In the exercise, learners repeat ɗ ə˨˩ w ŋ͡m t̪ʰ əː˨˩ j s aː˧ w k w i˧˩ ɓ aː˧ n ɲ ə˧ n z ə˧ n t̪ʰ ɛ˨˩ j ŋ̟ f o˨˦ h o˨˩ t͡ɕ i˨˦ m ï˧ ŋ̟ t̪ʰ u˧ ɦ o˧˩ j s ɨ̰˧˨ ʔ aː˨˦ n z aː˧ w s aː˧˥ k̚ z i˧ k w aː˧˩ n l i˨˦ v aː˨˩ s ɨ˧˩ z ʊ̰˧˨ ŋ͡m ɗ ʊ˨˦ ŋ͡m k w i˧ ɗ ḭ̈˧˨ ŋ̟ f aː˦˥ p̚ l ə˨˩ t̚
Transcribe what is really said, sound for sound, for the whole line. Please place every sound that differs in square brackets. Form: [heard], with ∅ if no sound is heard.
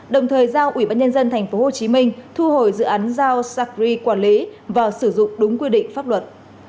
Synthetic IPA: ɗ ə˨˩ w ŋ͡m t̪ʰ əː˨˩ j [z] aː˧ w [ʔ] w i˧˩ ɓ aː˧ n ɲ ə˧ n z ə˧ n t̪ʰ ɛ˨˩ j ŋ̟ f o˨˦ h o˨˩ t͡ɕ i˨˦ m ï˧ ŋ̟ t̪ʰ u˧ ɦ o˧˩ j [z] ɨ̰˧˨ ʔ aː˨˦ n z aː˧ w s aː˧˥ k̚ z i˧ k w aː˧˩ n l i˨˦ v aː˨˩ s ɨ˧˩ z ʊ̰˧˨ ŋ͡m ɗ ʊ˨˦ ŋ͡m k w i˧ ɗ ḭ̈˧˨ ŋ̟ f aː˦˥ p̚ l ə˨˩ t̚